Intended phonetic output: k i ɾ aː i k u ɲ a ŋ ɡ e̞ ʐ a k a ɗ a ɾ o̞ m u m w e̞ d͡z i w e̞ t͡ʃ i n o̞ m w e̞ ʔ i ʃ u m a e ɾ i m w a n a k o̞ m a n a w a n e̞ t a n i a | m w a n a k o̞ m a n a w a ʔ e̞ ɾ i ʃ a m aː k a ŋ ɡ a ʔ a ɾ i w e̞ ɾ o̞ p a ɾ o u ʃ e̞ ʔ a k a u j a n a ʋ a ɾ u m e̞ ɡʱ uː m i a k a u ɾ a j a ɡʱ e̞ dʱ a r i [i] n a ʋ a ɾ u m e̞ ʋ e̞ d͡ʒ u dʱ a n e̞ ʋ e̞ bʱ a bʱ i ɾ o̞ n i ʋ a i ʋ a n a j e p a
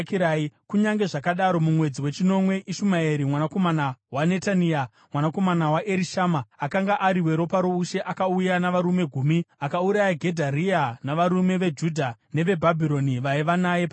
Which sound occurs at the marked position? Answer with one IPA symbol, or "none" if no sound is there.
a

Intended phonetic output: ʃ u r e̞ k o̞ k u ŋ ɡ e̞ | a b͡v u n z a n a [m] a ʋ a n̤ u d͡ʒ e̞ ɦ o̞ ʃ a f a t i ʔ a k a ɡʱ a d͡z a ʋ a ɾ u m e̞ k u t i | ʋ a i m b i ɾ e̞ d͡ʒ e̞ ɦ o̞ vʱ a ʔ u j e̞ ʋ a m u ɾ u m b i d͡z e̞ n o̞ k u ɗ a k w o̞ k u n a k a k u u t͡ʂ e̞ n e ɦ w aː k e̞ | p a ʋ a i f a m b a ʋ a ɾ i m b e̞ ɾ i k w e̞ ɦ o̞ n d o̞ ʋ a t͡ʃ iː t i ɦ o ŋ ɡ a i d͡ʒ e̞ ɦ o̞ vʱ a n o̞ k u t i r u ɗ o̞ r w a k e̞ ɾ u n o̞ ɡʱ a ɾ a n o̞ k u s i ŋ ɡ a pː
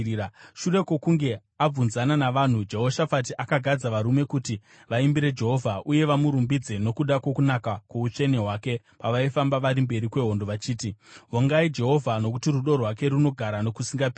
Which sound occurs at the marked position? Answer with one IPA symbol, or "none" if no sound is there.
n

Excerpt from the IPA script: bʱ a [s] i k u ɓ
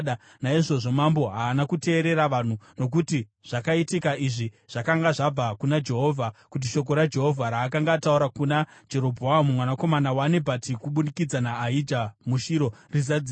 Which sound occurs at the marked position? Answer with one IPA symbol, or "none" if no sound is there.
t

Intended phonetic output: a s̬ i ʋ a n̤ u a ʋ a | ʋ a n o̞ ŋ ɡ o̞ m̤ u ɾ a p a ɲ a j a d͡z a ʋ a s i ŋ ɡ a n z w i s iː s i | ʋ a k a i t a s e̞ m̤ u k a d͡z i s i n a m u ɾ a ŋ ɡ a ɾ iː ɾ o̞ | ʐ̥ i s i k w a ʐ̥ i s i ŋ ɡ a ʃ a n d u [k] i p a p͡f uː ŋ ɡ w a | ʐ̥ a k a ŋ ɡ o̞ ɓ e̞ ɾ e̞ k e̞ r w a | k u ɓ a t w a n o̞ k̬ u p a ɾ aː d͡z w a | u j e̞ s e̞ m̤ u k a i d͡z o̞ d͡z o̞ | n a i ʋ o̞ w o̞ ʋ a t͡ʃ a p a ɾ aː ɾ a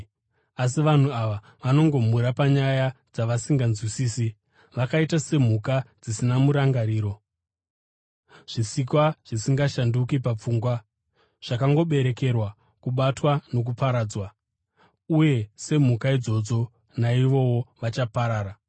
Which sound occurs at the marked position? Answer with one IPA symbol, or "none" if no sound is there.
k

